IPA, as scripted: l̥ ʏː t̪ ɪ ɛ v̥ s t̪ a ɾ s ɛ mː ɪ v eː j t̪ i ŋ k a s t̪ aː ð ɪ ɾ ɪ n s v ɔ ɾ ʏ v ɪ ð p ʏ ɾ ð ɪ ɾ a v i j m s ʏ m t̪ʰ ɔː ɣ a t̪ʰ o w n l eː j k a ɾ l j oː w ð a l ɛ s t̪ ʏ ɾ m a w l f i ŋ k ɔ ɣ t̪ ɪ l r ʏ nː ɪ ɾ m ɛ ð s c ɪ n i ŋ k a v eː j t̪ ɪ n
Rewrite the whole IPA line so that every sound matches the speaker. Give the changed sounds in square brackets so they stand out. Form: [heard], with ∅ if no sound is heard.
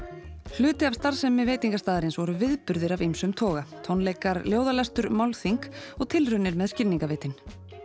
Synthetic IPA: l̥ ʏː t̪ ɪ [a] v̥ s t̪ a ɾ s ɛ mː ɪ v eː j t̪ i ŋ k a s t̪ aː ð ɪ ɾ ɪ n s v ɔ ɾ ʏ v ɪ ð p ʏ ɾ ð ɪ ɾ a v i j m s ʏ m t̪ʰ ɔː ɣ a t̪ʰ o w n l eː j k a ɾ l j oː w ð a l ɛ s t̪ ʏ ɾ m a w l [θ] i ŋ k ɔ ɣ [t̪ʰ] ɪ l r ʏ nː ɪ ɾ m ɛ ð s c ɪ n i ŋ k a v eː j t̪ ɪ n

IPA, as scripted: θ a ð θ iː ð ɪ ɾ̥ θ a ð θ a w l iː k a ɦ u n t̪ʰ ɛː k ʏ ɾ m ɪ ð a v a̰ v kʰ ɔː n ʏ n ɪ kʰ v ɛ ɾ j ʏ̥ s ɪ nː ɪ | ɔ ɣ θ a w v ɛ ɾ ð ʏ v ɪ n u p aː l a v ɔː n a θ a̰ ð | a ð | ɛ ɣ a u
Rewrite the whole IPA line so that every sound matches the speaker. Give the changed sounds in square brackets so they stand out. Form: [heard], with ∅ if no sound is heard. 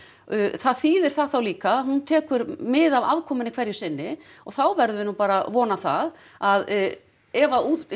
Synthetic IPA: θ a ð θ iː ð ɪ ɾ̥ θ a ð θ a w l iː k a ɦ u n t̪ʰ ɛː k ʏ ɾ m ɪ ð a v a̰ v kʰ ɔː [m] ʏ n ɪ kʰ v ɛ ɾ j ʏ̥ s ɪ nː ɪ | ɔ ɣ θ a w v ɛ ɾ ð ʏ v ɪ n u p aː [ɾ] a v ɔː n a θ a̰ ð | a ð | ɛ [v] a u

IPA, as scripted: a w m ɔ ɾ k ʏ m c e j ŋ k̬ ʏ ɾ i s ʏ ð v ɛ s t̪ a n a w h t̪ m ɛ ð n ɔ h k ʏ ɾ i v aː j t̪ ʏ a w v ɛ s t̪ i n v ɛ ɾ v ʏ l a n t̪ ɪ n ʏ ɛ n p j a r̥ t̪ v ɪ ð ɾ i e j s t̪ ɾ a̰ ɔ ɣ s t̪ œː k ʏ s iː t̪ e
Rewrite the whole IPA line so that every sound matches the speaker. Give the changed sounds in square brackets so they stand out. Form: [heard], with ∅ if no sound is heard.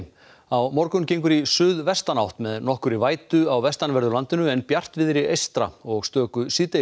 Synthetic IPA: a w m ɔ ɾ k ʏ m c e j ŋ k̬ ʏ ɾ i s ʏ ð v ɛ s t̪ a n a w h t̪ m ɛ ð n ɔ h k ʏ ɾ i v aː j t̪ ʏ a w v ɛ s t̪ [a] n v ɛ ɾ [ð] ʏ l a n t̪ ɪ n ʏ ɛ n p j a r̥ t̪ v ɪ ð ɾ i e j s t̪ ɾ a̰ ɔ ɣ s t̪ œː k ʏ s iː t̪ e

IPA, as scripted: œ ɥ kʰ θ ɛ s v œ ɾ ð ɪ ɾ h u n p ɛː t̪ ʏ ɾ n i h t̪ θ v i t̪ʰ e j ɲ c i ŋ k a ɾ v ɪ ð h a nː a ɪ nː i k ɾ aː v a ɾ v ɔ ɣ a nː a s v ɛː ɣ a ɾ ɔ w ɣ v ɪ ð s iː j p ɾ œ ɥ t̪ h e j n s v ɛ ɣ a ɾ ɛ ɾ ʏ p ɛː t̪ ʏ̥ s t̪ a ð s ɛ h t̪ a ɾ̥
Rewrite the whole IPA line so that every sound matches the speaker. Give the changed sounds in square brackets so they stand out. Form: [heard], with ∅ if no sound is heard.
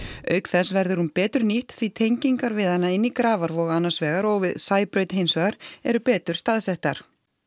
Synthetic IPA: œ ɥ [k] θ ɛ s v [ɛ] ɾ ð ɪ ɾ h u n p ɛː t̪ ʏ ɾ n i h t̪ θ v i t̪ʰ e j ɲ c i ŋ k a ɾ v ɪ ð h a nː a ɪ nː i k ɾ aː v a ɾ v ɔ ɣ a nː a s v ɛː ɣ a ɾ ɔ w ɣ v ɪ ð s [aː] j p ɾ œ ɥ t̪ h e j n s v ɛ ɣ a ɾ ɛ ɾ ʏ p ɛː t̪ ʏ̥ s t̪ a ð s ɛ h t̪ a ɾ̥

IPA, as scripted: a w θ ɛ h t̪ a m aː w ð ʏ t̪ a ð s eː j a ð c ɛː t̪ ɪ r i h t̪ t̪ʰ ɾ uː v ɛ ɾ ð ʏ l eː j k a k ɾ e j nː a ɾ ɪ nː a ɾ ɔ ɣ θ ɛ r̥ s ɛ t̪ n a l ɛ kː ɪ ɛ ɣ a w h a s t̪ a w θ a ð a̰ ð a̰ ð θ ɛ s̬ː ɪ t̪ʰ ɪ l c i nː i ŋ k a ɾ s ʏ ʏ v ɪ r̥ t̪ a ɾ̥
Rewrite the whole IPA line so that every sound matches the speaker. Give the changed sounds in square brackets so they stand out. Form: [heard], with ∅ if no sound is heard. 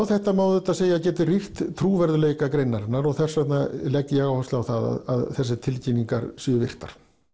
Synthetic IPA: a w θ ɛ h t̪ a m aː w ð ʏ t̪ a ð s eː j a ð c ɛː t̪ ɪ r i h t̪ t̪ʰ ɾ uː v ɛ ɾ ð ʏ l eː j k a k ɾ e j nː a ɾ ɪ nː a ɾ ɔ ɣ θ ɛ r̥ s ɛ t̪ n a l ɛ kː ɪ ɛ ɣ a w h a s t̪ a w θ a ð a̰ ð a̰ ð θ ɛ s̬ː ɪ t̪ʰ ɪ l c i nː i ŋ k a ɾ s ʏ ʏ v ɪ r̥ t̪ a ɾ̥

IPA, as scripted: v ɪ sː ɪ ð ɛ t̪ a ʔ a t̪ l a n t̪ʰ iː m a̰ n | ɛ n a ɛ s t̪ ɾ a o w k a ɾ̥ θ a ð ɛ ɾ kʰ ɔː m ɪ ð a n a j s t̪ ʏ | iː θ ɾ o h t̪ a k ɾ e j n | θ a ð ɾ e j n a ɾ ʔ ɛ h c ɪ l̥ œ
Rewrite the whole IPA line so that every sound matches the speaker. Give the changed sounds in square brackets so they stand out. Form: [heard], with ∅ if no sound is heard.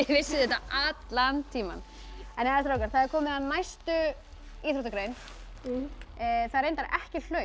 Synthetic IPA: v ɪ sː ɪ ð ɛ t̪ a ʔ a t̪ l a n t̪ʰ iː m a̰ n | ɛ n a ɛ s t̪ ɾ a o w k a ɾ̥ θ a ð ɛ ɾ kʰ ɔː m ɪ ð a n a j s t̪ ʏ | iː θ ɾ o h t̪ a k ɾ e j n | θ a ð ɾ e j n a ɾ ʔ ɛ h c ɪ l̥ œ

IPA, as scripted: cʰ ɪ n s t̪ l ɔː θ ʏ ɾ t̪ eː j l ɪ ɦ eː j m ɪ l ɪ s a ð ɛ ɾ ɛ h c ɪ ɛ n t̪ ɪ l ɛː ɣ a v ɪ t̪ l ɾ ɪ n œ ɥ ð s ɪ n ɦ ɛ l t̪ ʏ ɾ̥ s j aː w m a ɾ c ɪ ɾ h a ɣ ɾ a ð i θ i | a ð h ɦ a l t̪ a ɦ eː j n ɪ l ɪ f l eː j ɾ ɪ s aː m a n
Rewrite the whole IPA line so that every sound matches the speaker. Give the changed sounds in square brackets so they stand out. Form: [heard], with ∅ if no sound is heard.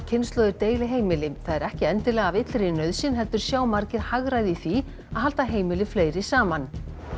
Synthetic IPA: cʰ ɪ n s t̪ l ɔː [ð] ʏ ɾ t̪ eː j l ɪ ɦ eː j m ɪ l ɪ [θ] a ð ɛ ɾ ɛ h c ɪ ɛ n t̪ ɪ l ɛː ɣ a v ɪ t̪ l ɾ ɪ n œ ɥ ð s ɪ n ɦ ɛ l t̪ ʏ ɾ̥ s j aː w m a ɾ c ɪ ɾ h a ɣ ɾ a ð i θ i | a ð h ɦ a l t̪ a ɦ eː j [m] ɪ l ɪ f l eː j ɾ ɪ s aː m a n

